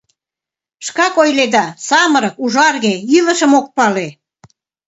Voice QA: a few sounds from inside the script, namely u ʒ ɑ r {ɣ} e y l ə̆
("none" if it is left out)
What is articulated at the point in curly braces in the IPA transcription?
ɣ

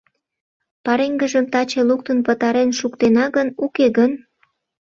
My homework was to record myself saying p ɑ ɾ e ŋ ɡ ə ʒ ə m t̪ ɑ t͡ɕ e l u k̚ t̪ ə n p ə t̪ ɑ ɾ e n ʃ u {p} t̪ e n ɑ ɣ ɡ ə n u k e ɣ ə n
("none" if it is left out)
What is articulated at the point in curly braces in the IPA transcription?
k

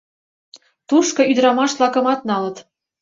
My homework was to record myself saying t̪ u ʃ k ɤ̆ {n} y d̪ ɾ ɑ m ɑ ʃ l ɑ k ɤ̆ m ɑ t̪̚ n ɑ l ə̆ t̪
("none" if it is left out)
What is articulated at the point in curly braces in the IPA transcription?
none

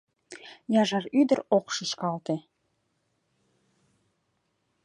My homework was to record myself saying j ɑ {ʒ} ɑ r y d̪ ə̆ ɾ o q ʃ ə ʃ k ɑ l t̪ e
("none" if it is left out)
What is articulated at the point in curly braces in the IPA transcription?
ʒ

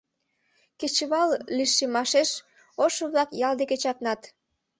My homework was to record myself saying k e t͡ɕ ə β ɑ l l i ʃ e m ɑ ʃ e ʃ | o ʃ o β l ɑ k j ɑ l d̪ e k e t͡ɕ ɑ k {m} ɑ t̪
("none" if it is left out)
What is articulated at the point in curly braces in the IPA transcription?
n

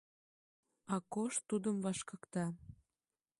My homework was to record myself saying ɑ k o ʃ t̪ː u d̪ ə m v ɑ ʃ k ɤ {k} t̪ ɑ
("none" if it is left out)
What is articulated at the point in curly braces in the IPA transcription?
k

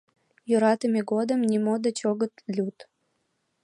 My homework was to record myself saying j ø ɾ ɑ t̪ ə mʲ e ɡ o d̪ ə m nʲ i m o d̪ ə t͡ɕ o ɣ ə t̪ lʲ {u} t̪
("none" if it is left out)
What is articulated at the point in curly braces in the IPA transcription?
u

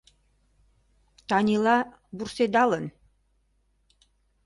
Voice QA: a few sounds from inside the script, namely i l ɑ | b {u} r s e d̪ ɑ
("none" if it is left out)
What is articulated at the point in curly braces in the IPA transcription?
u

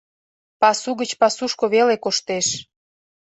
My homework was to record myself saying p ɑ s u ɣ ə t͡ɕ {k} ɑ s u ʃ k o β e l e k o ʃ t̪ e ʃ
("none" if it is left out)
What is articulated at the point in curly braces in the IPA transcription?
p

